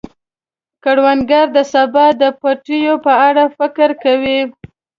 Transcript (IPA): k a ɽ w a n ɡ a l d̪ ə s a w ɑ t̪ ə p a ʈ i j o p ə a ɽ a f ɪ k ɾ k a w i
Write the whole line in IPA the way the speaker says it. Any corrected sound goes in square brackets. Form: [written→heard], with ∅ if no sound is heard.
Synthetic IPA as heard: k a ɽ w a n ɡ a [l→ɾ] d̪ ə s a [w→b] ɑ [t̪→d̪] ə p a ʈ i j o p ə a ɽ a f ɪ k ɾ k a w i

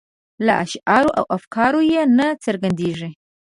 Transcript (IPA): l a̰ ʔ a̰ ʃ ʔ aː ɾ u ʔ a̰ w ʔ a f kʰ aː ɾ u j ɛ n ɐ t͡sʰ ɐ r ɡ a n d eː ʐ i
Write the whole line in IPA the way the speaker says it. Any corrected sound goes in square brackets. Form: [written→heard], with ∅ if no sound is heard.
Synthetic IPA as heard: l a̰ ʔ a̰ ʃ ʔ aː ɾ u ʔ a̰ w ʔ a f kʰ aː ɾ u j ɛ n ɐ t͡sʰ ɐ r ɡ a n d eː ʐ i

